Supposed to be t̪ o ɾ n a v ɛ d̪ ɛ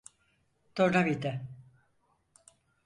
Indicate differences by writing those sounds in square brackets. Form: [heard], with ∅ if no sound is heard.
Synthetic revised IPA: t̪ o ɾ n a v [i] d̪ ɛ